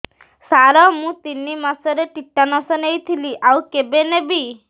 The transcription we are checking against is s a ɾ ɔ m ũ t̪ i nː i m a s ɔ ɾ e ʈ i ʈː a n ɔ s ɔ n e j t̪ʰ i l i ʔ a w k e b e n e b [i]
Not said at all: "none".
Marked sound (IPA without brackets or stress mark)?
i